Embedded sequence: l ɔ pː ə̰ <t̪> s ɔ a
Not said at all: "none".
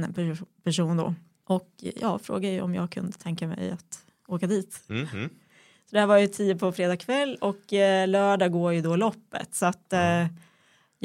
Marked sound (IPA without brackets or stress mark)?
t̪